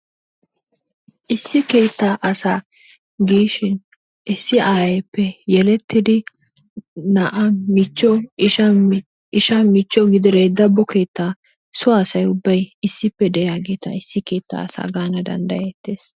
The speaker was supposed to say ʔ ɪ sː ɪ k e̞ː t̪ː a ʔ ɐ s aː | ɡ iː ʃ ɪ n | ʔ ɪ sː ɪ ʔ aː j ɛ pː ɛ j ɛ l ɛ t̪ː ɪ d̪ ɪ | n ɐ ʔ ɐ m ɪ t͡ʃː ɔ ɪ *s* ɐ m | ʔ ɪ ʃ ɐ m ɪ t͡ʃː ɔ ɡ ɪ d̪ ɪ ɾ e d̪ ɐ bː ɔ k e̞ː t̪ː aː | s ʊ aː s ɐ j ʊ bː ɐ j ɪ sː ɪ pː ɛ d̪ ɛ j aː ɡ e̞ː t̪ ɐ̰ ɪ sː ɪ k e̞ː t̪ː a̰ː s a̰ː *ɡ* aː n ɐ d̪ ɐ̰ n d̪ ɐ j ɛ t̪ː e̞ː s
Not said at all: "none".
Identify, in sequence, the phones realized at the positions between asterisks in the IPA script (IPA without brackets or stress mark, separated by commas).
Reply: ʃ, ɡ